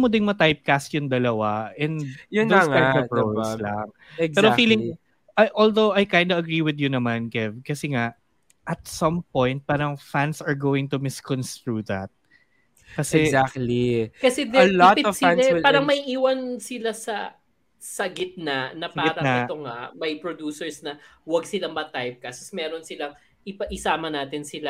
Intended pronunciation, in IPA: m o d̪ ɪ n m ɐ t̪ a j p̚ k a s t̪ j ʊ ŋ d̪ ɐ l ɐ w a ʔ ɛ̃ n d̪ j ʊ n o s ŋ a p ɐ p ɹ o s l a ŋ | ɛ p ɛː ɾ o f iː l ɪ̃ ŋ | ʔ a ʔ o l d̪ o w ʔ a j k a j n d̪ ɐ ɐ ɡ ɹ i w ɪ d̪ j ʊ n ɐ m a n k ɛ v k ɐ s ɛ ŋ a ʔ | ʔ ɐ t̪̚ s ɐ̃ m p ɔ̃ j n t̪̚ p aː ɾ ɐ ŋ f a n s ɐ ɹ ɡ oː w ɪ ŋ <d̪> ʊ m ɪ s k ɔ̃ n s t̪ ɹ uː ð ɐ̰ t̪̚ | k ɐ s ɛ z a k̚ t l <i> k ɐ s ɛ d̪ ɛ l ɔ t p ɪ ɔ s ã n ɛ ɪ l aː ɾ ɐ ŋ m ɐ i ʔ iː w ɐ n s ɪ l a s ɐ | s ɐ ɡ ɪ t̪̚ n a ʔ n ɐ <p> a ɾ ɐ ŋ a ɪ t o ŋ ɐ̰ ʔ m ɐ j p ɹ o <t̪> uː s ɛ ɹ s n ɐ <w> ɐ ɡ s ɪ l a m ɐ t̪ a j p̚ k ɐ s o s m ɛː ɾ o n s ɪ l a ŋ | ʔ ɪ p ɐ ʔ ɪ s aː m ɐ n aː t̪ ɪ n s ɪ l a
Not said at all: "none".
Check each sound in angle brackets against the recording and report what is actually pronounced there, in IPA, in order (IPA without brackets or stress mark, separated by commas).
t̪, i, p, d̪, w